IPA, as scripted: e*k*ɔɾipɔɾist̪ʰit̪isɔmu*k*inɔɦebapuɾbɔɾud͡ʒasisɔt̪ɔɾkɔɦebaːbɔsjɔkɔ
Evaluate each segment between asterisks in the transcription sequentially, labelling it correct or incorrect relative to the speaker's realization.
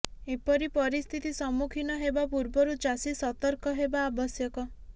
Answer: incorrect, incorrect

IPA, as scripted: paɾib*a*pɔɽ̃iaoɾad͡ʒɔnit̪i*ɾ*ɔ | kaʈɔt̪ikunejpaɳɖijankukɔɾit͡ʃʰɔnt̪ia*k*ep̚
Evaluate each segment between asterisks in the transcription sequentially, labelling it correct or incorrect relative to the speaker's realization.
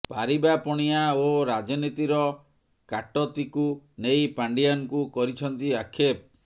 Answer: correct, correct, incorrect

